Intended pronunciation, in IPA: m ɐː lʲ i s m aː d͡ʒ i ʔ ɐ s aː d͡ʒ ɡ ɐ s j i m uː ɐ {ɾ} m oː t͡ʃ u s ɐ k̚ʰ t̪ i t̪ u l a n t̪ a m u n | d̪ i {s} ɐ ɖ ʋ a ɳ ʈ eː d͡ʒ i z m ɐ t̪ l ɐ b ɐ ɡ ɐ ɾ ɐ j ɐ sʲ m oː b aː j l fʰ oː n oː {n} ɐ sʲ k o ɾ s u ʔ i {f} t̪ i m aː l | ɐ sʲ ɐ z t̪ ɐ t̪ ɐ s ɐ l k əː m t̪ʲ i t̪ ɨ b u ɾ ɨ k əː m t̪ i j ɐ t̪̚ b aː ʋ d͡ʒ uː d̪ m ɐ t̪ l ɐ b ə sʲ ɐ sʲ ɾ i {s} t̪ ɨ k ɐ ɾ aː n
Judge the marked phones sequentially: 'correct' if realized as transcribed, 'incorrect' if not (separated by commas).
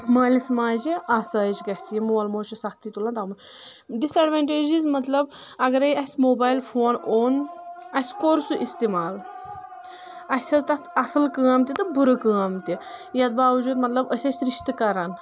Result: incorrect, correct, correct, incorrect, incorrect